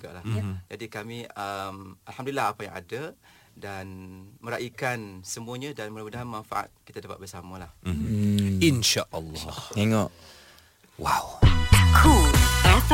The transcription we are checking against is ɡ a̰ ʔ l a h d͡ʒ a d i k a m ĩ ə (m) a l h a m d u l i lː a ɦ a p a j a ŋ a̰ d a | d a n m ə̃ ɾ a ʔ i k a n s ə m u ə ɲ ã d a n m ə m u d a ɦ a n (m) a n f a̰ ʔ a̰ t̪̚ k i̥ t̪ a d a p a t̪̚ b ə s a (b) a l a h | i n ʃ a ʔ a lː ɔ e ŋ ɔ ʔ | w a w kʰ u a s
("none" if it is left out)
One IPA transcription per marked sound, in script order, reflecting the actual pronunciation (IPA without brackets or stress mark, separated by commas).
m, m, m